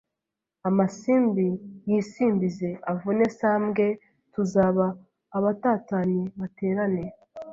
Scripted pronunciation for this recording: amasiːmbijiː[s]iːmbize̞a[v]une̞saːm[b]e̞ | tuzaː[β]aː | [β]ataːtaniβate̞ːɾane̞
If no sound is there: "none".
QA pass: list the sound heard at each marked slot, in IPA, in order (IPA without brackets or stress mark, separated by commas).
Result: s, v, ɡ, β, β